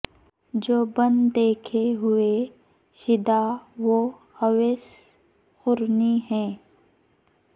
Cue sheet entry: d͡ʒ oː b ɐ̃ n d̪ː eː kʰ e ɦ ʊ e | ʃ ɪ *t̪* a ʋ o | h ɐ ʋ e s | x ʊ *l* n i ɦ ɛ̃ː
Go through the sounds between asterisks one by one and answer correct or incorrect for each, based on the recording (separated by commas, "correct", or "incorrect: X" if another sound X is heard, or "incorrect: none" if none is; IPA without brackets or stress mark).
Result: incorrect: d̪, incorrect: ɾ